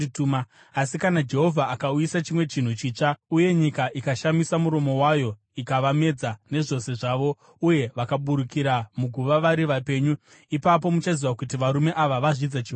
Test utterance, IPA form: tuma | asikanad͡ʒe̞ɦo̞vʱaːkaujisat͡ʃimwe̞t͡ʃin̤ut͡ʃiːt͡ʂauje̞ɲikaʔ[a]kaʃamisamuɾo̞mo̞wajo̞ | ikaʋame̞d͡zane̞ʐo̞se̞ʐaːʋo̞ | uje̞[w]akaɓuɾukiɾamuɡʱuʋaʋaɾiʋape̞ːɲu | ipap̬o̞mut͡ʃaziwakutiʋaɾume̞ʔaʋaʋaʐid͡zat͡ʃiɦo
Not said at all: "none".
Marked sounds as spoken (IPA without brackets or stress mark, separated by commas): i, ʋ